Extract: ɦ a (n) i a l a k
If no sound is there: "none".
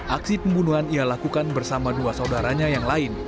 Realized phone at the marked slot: n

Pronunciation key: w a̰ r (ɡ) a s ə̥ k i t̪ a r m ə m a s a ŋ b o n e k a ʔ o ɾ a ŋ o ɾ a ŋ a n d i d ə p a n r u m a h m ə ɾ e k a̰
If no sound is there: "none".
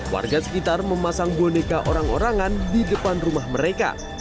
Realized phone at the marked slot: ɡ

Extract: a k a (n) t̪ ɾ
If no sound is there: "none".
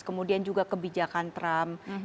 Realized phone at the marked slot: n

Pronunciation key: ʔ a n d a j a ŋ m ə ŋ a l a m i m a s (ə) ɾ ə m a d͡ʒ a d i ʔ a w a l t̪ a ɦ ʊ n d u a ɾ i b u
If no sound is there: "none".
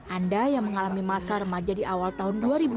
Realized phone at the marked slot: a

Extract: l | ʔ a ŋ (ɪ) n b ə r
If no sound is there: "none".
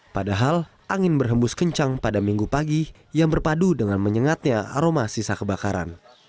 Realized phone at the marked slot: ɪ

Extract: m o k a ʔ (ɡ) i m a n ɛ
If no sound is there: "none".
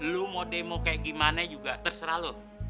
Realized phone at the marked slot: ɡ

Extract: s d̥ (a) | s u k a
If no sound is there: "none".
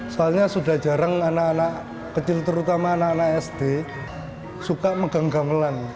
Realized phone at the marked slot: e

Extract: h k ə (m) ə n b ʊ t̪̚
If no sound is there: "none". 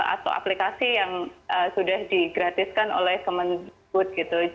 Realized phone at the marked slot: m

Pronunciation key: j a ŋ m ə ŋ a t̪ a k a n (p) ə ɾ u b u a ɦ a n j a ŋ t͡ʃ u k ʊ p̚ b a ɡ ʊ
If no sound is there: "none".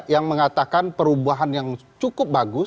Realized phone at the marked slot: p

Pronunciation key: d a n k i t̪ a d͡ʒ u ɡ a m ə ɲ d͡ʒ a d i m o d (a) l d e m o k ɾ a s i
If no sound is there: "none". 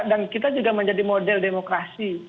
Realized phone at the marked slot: ɛ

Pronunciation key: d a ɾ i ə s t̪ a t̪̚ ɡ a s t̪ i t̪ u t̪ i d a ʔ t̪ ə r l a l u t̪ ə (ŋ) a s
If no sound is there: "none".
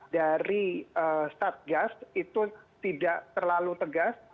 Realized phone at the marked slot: ɡ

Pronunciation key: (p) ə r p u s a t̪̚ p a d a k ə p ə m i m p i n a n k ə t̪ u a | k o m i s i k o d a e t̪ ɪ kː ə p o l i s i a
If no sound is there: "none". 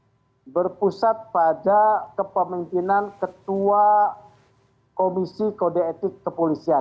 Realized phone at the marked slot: b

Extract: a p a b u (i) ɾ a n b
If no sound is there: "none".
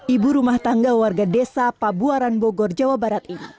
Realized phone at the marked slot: a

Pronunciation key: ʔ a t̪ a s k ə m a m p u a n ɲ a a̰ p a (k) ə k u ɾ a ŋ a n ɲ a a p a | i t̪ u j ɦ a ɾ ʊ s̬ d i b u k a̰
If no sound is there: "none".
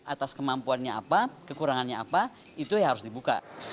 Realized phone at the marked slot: k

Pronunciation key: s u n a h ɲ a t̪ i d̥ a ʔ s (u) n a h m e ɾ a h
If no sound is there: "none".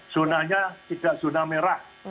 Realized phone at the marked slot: u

